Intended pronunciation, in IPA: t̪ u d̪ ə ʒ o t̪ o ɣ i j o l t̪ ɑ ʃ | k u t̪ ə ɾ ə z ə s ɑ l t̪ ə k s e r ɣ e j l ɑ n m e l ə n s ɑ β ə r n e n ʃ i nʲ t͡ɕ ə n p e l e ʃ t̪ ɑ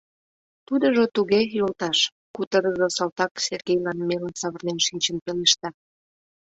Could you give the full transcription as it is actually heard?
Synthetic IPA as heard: t̪ u d̪ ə ʒ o t̪ u ɣ e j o l t̪ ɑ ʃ | k u t̪ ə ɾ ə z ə s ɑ l t̪ ɑ k s e r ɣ e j l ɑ n m e l ə n s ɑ β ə r n e n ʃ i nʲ t͡ɕ ə n p e l e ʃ t̪ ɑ